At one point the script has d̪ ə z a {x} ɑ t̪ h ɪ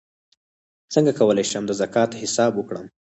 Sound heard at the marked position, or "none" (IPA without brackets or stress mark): k